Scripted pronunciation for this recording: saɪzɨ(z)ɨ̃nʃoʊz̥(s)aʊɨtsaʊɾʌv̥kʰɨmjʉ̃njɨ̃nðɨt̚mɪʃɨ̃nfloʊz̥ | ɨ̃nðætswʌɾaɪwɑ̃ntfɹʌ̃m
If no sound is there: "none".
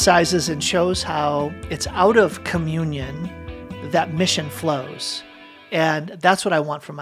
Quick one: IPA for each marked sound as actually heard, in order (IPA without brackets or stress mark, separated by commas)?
z, h